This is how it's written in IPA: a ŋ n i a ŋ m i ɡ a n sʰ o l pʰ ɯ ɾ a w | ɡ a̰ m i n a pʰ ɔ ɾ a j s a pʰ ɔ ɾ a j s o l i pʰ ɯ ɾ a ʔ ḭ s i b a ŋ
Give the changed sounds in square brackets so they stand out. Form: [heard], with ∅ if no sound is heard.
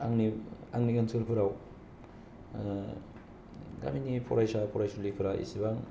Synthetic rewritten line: a ŋ n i a ŋ [n] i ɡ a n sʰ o l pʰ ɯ ɾ a w | ɡ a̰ m i n [i] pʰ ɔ ɾ a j s a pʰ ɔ ɾ a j s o l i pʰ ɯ ɾ a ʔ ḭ s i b a ŋ

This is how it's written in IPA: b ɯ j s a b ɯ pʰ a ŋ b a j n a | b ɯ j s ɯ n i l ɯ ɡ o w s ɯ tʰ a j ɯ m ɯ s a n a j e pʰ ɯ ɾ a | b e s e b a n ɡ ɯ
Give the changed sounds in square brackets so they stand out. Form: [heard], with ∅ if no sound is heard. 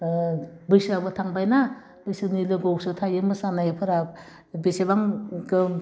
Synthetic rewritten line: b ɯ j s a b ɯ [tʰ] a ŋ b a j n a | b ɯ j s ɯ n i l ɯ ɡ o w s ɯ tʰ a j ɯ m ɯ s a n a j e pʰ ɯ ɾ a | b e s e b a [ŋ] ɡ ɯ

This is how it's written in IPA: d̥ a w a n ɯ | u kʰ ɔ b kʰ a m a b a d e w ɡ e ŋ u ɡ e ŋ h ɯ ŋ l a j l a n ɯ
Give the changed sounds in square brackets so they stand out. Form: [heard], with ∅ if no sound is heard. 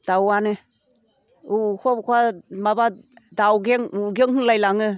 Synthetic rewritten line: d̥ a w a n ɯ | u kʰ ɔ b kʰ a m a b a d [a] w ɡ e ŋ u ɡ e ŋ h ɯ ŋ l a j l a [ŋ] ɯ

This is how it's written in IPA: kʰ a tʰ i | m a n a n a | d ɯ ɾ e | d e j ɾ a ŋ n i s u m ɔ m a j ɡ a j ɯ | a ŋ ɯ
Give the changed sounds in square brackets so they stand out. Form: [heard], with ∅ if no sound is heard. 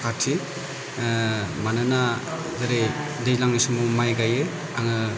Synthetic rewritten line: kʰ a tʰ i | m a n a n a | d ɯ ɾ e | d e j [l] a ŋ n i s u m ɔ m a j ɡ a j ɯ | a ŋ ɯ

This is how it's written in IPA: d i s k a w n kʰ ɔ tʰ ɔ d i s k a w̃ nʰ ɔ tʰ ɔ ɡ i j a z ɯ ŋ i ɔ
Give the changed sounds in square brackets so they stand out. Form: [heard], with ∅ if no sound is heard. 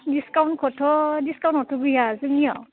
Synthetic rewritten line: d i s k a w n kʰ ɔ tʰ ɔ d i s k a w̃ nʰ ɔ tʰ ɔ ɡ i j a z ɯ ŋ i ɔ

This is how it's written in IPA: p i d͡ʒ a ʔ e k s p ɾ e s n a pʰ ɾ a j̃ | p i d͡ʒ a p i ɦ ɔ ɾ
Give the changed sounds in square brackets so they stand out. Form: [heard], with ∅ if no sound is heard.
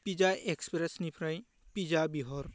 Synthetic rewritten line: p i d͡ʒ a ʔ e k s p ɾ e s n [i] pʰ ɾ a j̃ | p i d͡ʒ a [b] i ɦ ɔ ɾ

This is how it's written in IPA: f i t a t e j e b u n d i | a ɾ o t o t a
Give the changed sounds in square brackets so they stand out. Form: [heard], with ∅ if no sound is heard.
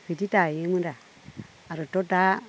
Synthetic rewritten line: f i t [i] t [a] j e [m] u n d [a] | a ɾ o t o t a

